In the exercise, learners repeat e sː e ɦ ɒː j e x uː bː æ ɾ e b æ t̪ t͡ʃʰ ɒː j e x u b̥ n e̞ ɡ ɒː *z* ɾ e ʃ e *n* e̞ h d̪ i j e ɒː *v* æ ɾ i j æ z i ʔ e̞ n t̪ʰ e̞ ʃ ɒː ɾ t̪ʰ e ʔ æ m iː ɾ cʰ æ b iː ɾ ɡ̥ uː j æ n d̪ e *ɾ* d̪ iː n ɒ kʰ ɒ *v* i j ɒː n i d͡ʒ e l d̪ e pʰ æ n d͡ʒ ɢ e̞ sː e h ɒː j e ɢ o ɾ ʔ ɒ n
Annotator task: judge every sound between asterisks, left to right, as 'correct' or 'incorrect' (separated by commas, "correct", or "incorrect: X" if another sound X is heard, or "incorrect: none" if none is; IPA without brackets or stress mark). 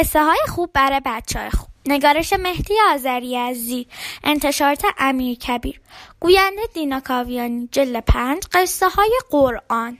incorrect: none, incorrect: m, incorrect: z, incorrect: none, correct